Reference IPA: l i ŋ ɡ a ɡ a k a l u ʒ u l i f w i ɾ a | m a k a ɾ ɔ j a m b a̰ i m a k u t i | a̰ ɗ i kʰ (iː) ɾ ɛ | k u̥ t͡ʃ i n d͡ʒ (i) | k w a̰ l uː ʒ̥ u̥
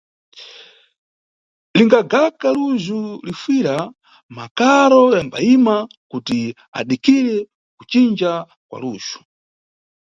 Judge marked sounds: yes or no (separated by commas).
no, no